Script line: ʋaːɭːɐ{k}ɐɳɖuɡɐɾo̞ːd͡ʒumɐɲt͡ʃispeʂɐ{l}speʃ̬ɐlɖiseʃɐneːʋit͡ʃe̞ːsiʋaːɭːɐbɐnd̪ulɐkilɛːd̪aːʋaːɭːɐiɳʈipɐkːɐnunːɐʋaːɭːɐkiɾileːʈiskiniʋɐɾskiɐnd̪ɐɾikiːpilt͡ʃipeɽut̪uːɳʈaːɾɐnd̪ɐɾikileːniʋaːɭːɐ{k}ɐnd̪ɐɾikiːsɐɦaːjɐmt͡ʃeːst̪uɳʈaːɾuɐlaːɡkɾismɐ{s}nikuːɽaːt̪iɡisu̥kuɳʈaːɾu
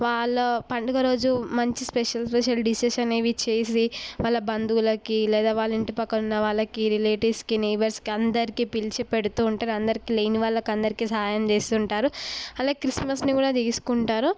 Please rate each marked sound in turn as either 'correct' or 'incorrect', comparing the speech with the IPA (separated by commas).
incorrect, correct, correct, correct